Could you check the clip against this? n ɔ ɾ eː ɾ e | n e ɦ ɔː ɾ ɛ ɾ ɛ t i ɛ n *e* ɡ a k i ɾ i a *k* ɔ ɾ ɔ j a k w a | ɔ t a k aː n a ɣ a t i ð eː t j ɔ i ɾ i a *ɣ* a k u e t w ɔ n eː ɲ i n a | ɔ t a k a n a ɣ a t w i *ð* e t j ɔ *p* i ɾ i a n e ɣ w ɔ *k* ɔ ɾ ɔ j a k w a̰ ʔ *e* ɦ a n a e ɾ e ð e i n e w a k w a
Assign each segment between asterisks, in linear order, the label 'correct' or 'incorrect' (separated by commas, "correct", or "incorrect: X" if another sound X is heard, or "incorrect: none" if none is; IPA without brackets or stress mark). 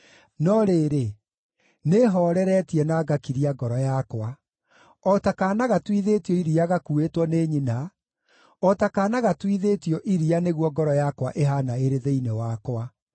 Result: incorrect: a, incorrect: ɡ, correct, correct, incorrect: ʔ, incorrect: ɡ, correct